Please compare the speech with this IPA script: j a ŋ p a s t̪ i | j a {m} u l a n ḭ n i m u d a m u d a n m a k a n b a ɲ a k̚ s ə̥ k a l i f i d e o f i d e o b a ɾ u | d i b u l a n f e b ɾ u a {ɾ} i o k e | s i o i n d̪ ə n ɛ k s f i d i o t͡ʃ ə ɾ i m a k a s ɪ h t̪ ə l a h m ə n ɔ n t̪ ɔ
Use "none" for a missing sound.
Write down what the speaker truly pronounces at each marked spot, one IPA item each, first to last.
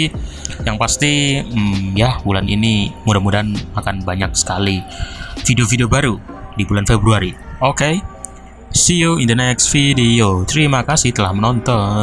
b, ɾ

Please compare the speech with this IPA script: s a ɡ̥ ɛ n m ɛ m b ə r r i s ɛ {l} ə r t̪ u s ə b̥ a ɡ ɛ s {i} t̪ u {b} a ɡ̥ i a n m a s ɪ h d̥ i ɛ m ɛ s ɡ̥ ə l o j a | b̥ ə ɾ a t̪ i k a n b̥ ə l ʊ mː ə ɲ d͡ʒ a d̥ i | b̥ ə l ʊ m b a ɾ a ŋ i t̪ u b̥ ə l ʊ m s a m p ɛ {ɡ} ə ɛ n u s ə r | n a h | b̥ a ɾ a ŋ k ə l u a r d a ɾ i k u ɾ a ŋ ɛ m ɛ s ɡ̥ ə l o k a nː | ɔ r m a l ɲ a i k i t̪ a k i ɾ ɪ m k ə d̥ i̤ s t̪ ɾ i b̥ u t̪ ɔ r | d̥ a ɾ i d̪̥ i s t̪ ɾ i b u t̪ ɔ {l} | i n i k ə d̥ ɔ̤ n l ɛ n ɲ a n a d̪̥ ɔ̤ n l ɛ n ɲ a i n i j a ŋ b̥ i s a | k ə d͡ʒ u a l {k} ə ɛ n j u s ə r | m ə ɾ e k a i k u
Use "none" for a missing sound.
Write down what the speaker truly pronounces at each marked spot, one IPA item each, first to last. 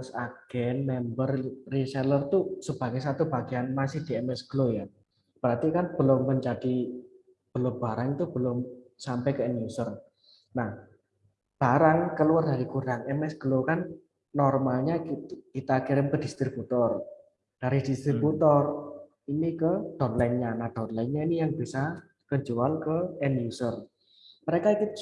l, a, b, k, r, k

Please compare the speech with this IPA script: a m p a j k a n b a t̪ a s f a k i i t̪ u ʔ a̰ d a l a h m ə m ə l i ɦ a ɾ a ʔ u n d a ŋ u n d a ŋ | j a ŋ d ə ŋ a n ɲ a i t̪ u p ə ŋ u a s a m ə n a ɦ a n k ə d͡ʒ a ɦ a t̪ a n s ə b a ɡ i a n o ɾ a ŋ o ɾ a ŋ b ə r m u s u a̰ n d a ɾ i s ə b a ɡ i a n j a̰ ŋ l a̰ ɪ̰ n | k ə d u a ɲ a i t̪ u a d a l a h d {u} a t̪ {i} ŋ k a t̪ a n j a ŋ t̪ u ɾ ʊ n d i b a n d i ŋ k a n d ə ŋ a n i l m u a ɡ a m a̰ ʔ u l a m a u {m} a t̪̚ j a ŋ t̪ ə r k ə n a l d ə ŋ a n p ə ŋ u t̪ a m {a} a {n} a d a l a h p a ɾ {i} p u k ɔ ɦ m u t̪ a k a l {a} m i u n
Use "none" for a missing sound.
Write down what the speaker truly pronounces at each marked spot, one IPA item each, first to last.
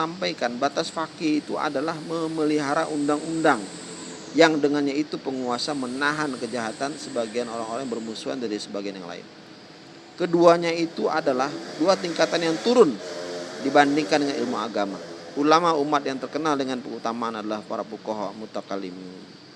u, i, m, a, n, a, i

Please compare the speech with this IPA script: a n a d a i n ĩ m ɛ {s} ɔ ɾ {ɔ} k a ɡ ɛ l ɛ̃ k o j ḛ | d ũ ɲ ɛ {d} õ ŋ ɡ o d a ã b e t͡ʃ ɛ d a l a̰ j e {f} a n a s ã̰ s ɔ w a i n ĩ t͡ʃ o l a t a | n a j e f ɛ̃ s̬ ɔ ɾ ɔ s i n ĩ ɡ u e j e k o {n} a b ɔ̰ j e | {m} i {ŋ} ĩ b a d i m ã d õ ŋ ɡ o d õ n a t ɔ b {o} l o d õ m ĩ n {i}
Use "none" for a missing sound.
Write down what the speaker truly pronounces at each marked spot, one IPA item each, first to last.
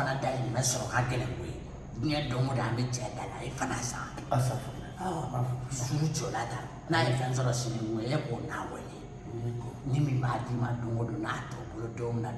s, ɔ, d, f, n, n, m, o, a

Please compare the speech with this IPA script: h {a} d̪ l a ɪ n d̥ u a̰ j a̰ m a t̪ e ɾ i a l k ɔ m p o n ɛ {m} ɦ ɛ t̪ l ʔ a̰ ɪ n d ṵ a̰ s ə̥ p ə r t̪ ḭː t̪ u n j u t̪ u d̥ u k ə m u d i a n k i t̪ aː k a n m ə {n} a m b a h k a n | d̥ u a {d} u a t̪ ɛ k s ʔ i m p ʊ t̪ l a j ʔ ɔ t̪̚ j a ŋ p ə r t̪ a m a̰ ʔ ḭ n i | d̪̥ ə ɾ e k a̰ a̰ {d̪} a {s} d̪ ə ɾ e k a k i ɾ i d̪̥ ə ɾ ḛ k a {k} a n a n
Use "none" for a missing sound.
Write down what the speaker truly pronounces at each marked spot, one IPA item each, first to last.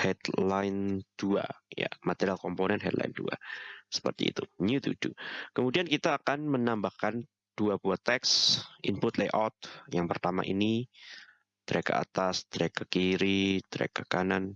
ɛ, n, n, b, t̪, s, k

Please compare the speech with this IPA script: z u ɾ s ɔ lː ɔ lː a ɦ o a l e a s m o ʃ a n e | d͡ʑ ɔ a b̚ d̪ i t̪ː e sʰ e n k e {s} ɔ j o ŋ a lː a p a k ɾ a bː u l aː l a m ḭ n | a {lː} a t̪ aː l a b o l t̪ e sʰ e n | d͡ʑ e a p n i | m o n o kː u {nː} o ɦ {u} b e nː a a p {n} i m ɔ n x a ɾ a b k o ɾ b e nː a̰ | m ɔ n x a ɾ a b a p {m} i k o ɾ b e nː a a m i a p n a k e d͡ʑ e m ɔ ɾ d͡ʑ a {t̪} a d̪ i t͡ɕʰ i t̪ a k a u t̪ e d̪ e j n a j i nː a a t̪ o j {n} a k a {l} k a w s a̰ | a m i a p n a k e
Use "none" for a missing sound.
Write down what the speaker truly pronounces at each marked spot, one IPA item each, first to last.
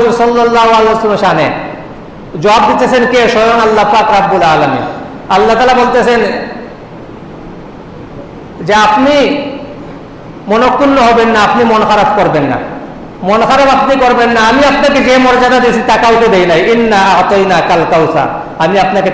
ʃ, lː, nː, ɔ, n, n, d̪, n, l

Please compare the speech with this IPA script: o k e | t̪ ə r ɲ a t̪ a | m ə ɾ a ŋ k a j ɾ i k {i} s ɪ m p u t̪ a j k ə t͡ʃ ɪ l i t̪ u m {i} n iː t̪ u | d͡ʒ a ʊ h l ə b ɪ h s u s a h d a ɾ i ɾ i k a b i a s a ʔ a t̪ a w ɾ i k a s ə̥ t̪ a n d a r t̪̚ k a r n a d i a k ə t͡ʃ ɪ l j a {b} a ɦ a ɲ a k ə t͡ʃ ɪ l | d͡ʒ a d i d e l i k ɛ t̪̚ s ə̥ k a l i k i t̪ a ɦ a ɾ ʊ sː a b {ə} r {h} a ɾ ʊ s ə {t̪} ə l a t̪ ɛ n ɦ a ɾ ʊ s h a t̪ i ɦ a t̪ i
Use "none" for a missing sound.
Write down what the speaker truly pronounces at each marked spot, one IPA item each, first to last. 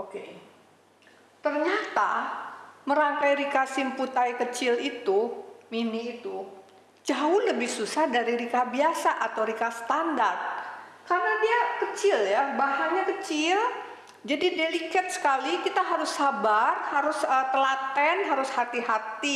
a, i, b, a, h, t̪

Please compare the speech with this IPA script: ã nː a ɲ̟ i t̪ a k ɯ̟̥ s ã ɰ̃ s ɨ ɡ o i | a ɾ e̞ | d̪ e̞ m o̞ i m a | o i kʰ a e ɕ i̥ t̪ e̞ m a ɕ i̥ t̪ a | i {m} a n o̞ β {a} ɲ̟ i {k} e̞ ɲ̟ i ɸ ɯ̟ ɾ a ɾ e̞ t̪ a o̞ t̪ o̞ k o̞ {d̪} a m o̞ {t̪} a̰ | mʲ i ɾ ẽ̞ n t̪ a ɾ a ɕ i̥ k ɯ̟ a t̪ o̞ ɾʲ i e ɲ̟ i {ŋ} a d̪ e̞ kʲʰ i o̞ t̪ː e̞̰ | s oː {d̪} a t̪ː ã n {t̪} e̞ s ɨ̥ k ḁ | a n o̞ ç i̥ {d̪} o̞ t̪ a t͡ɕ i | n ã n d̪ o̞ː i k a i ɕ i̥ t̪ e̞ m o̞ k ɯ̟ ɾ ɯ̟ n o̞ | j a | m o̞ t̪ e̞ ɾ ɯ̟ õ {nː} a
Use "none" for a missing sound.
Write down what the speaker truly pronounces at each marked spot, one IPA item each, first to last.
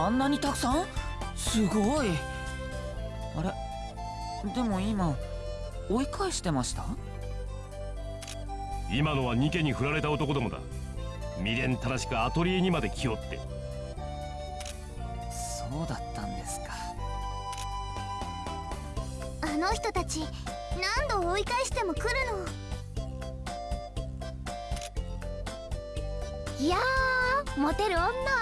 m, a, k, d̪, d̪, m, d̪, d̪, t̪, nː

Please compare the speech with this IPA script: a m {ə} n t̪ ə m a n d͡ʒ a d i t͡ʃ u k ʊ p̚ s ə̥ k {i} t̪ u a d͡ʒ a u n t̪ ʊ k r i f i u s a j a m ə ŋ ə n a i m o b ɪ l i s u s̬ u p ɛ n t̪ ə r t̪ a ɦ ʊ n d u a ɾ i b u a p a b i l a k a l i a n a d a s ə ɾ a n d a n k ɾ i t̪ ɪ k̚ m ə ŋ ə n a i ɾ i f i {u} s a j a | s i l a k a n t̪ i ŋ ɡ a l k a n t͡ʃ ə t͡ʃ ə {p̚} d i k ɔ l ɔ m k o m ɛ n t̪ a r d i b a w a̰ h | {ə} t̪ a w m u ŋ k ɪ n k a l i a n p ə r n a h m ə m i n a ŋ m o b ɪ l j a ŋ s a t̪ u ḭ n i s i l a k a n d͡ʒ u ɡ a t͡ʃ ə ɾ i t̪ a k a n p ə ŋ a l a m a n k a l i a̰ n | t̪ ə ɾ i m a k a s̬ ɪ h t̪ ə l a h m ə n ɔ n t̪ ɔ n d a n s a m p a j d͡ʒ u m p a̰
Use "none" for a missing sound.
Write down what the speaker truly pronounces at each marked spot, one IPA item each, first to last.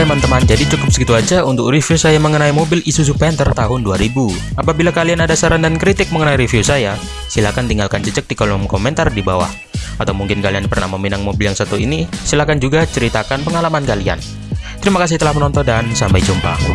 a, i, u, k̚, a

